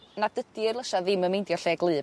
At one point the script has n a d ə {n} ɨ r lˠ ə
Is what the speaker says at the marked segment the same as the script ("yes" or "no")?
no